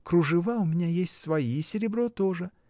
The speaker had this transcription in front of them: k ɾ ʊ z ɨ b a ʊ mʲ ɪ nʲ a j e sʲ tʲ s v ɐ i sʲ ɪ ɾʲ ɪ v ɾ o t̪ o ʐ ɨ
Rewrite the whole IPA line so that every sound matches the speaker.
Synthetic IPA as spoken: k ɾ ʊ ʐ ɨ v a ʊ mʲ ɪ nʲ a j e sʲ tʲ s v ɐ i sʲ ɪ ɾʲ ɪ b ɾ o t̪ o ʐ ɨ